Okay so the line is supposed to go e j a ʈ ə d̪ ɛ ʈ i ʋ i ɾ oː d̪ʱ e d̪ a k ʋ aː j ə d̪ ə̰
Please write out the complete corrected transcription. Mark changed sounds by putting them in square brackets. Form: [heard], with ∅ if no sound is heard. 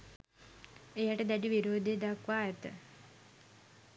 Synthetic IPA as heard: e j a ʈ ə d̪ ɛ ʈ i ʋ i ɾ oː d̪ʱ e d̪ a k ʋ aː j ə [t̪] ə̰